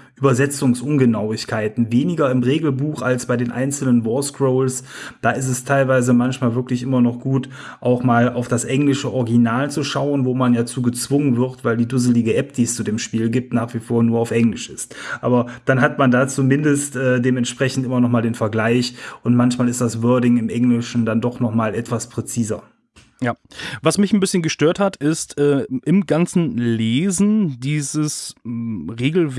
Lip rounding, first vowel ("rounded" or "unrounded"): rounded